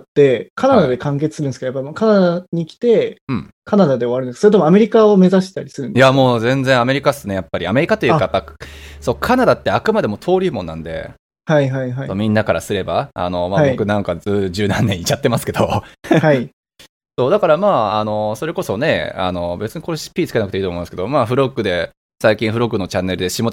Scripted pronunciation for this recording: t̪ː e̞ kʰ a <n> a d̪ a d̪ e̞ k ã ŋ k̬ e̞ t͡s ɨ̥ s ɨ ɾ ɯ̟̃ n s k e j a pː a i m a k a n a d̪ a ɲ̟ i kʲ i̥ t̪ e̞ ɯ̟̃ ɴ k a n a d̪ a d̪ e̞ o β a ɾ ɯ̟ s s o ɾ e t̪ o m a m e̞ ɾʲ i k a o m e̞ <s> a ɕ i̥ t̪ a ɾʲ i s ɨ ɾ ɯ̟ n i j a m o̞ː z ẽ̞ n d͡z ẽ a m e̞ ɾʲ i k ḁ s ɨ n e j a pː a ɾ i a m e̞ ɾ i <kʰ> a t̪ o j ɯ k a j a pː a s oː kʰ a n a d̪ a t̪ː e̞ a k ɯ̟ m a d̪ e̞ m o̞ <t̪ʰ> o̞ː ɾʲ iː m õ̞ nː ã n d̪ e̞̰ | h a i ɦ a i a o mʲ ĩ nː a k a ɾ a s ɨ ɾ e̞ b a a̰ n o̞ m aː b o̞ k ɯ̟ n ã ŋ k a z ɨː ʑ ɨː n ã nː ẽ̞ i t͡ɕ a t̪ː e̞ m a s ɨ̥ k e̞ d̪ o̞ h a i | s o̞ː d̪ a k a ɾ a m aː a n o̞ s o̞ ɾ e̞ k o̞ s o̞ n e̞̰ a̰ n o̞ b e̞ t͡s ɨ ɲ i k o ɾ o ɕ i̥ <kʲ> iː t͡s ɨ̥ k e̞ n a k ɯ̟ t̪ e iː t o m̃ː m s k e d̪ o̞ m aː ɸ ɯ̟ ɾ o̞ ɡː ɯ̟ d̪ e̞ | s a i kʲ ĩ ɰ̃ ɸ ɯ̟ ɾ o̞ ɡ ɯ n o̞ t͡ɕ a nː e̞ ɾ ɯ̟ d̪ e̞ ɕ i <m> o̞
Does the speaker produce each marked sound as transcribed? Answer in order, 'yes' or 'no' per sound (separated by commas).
yes, no, no, yes, no, yes